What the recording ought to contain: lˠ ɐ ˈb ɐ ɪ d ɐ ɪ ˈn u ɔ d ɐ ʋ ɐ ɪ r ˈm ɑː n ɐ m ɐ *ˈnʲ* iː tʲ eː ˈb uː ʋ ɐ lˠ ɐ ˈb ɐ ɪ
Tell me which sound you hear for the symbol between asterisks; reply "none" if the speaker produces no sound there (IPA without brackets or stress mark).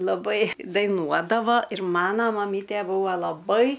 mʲ